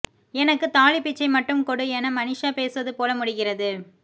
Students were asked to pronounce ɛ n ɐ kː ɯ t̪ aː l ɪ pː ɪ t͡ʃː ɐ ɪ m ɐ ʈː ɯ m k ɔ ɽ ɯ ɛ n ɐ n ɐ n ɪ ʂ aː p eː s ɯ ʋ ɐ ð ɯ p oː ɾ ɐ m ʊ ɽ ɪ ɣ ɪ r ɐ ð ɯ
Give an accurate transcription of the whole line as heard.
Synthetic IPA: ɛ n ɐ kː ɯ t̪ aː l ɪ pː ɪ t͡ʃː ɐ ɪ m ɐ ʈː ɯ m k ɔ ɽ ɯ ɛ n ɐ m ɐ n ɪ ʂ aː p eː s ɯ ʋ ɐ ð ɯ p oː l ɐ m ʊ ɽ ɪ ɣ ɪ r ɐ ð ɯ